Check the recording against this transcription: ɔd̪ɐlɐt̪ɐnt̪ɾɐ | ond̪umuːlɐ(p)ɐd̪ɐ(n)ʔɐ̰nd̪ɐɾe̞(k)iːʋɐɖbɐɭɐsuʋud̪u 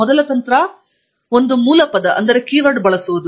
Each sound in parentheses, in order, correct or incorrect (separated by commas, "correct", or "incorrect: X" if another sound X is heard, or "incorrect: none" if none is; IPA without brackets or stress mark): correct, incorrect: none, correct